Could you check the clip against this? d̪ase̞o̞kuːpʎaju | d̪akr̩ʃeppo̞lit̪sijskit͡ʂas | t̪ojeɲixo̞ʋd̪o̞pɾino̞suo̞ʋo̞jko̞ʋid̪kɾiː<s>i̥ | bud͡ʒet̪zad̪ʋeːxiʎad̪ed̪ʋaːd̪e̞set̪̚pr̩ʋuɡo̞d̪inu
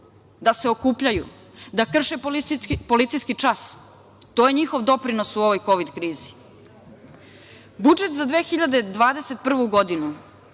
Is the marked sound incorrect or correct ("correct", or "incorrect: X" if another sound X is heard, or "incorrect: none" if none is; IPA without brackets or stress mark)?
incorrect: z